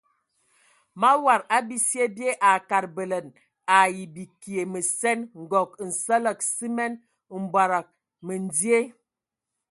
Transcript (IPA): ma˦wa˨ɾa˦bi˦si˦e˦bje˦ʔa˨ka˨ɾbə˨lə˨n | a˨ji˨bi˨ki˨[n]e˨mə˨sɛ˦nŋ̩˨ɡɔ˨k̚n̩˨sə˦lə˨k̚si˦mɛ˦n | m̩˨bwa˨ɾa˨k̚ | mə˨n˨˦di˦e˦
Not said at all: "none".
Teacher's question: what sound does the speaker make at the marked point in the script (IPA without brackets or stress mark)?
none